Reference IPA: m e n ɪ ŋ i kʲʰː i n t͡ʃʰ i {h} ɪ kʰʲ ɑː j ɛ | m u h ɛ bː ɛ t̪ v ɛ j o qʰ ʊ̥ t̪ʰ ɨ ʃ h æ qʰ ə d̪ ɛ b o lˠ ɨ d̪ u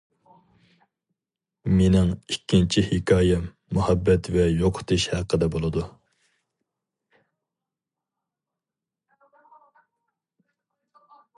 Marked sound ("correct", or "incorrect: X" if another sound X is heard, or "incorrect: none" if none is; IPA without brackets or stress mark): correct